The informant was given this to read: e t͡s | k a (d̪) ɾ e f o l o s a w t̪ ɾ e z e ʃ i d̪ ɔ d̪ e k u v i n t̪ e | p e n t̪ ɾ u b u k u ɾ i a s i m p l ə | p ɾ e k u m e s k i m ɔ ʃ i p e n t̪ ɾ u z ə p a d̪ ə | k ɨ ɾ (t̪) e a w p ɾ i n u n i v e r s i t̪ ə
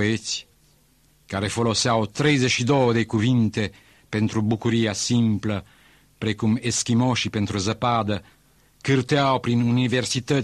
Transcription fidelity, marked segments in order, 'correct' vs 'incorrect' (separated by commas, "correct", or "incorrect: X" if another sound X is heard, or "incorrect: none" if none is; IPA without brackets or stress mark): incorrect: none, correct